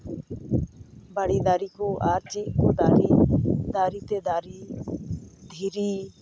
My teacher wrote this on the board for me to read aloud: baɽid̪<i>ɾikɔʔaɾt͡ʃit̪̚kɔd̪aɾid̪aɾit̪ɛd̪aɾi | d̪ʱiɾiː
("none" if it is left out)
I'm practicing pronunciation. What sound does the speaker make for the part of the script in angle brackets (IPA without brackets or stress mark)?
a